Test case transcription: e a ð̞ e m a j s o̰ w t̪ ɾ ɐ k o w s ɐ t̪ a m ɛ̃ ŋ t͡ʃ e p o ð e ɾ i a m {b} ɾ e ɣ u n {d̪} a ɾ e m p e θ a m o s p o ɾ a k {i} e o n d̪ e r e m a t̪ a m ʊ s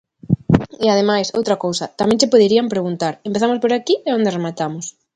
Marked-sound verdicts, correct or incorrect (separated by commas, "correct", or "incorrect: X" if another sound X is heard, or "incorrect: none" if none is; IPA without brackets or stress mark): incorrect: p, incorrect: t̪, correct